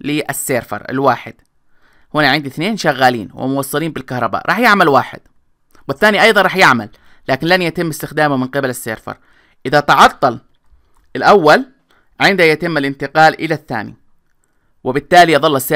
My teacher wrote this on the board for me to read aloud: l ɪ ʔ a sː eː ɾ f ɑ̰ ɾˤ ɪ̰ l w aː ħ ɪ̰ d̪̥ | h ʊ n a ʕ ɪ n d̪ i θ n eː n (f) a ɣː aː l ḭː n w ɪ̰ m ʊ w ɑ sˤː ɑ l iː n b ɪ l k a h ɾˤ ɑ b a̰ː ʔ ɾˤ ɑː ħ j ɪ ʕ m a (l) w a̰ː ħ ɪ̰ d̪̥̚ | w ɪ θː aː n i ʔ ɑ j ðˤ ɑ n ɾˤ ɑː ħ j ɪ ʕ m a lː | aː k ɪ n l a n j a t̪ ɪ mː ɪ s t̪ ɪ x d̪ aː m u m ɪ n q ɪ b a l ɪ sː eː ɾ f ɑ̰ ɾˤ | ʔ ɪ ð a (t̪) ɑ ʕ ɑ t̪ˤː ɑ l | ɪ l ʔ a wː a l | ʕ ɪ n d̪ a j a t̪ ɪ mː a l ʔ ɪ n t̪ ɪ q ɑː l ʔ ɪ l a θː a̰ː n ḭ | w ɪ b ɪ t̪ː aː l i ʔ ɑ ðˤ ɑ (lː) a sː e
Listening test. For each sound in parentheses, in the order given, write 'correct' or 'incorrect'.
incorrect: ʃ, correct, correct, correct

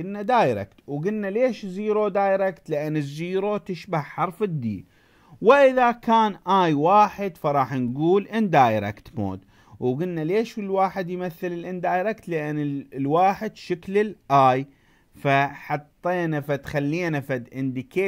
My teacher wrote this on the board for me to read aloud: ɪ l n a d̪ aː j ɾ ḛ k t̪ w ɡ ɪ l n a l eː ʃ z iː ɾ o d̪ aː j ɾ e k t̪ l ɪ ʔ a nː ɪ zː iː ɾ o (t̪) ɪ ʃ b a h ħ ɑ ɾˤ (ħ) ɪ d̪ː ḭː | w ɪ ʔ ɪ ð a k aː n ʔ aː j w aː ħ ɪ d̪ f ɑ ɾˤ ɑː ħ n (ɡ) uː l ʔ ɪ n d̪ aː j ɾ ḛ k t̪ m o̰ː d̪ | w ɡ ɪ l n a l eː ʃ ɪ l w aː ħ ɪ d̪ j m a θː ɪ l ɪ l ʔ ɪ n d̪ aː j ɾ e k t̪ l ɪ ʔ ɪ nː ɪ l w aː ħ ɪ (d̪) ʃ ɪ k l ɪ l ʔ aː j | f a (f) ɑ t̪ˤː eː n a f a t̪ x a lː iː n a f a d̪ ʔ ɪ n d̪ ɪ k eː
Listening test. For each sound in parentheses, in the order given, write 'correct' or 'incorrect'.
correct, incorrect: f, correct, correct, incorrect: ħ

